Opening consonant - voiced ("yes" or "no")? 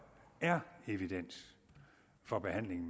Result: yes